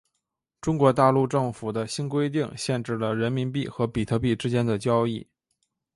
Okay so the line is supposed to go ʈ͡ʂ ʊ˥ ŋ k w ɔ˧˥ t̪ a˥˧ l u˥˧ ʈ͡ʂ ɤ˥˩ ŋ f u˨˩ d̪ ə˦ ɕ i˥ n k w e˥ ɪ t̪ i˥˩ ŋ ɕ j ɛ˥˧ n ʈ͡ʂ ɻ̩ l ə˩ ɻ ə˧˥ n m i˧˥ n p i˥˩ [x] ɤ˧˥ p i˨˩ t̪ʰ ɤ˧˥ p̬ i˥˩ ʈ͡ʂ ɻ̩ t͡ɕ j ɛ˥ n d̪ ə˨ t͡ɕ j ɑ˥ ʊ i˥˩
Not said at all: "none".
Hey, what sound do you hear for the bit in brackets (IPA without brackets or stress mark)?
x